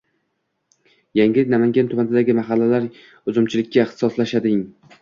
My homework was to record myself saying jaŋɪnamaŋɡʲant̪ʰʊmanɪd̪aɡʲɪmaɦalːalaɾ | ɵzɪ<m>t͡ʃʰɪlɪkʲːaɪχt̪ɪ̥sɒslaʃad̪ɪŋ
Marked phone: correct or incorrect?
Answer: correct